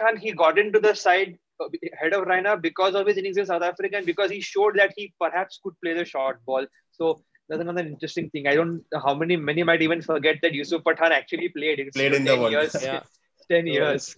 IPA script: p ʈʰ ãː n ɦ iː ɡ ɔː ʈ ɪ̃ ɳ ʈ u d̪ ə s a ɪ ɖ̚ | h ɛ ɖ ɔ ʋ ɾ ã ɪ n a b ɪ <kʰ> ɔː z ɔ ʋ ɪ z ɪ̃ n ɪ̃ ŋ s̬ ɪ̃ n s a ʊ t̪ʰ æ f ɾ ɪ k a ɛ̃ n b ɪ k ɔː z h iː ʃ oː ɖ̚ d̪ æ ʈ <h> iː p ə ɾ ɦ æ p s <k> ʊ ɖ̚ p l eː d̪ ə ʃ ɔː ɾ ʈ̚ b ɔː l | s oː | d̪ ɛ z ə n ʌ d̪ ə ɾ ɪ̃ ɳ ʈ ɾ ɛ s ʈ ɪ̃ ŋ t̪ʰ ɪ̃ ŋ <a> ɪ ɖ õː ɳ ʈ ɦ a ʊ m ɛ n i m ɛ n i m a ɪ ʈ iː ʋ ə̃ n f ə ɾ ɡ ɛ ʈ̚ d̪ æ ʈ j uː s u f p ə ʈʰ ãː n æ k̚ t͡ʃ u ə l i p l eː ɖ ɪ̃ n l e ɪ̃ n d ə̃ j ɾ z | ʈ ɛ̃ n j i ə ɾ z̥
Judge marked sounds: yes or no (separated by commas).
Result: no, yes, yes, yes